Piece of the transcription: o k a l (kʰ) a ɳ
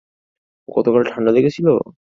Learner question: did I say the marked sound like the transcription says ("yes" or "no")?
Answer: no